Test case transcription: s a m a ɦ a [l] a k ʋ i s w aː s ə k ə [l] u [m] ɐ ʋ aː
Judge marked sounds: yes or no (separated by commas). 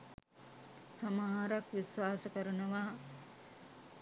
no, no, no